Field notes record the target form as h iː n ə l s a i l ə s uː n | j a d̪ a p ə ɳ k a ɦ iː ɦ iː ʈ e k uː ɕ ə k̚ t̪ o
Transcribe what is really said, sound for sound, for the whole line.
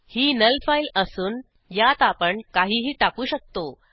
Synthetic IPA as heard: h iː n ə l f a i l ə s uː n | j a t̪ a p ə ɳ k a ɦ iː ɦ iː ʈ a k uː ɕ ə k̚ t̪ o

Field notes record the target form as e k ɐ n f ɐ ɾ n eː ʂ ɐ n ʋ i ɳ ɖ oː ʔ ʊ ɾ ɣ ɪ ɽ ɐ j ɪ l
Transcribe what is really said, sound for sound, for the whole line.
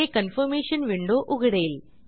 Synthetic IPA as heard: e k ɐ n f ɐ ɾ m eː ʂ ɐ n ʋ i ɳ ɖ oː ʔ ʊ ɣ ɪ ɽ ɐ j ɪ l

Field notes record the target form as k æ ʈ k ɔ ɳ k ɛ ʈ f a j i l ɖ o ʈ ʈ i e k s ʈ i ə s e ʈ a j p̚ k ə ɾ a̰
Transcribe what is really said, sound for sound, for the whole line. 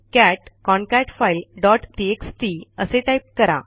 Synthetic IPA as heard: k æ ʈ k ɔ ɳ k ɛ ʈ f a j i l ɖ ɔ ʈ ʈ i e k s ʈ i ə s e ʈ a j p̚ k ə ɾ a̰

